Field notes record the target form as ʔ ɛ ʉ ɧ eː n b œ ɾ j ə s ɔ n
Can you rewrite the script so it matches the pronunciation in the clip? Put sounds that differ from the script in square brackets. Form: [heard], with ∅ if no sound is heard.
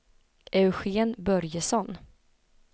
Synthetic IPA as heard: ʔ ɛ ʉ ɧ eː n b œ ɾ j ə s ɔ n